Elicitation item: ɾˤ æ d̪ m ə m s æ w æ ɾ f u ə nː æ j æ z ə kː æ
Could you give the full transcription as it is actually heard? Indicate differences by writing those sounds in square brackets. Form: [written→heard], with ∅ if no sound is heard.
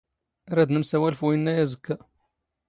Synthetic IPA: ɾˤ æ d̪ [m→n] ə m s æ w æ [ɾ→l] f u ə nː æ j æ z ə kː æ